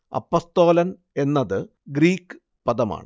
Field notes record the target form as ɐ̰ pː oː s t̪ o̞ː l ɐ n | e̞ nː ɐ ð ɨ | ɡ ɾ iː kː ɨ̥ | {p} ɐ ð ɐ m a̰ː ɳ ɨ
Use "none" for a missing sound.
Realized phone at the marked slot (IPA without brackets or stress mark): p